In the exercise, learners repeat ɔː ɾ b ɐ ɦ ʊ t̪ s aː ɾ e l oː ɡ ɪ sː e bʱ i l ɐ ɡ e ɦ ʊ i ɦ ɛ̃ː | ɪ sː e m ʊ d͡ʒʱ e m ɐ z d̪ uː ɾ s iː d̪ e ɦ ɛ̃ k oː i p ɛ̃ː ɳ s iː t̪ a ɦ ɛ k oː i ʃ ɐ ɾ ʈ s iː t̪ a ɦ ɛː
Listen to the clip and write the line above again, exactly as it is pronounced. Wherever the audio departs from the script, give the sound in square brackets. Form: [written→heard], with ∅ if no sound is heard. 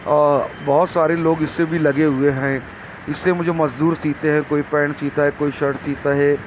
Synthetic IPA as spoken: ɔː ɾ b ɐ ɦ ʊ t̪ s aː ɾ e l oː ɡ ɪ sː e bʱ i l ɐ ɡ e ɦ ʊ [i→e] ɦ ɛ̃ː | ɪ sː e m ʊ d͡ʒʱ e m ɐ z d̪ uː ɾ s iː [d̪→t̪] e ɦ ɛ̃ k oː i p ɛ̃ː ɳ s iː t̪ a ɦ ɛ k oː i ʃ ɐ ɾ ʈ s iː t̪ a ɦ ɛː